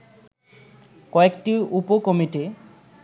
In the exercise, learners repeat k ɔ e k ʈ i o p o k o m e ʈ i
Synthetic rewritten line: k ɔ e k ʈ i u p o k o m i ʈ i